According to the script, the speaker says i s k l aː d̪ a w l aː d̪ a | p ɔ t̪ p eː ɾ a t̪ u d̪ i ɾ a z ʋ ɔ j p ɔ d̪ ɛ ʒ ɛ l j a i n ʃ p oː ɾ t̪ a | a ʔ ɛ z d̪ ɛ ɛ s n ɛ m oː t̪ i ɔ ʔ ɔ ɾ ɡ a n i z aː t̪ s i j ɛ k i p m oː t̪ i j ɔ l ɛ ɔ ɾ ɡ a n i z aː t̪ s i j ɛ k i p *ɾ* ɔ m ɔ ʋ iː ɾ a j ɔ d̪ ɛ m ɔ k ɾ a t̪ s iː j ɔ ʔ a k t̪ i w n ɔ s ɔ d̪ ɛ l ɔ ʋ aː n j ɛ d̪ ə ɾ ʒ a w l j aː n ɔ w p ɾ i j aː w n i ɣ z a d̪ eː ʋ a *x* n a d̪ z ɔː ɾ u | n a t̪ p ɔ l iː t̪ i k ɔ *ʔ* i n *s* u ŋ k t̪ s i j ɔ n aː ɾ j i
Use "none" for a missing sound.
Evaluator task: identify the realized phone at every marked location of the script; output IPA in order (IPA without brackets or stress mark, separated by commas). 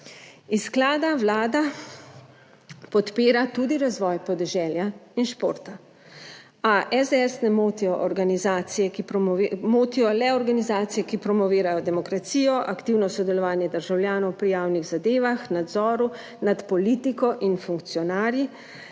ɾ, x, ʔ, f